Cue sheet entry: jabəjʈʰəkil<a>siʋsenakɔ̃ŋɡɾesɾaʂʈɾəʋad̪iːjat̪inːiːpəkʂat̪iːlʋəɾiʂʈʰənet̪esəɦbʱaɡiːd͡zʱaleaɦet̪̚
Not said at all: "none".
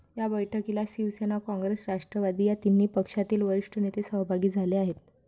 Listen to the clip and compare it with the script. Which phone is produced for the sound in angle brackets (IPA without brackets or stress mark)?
a